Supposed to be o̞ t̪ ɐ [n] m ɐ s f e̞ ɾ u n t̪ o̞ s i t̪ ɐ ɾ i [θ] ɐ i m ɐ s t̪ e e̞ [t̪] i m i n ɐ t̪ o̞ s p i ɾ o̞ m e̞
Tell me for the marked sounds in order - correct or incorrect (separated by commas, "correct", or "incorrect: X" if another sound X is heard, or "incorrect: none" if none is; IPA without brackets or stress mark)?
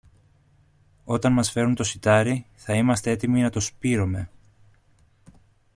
correct, correct, correct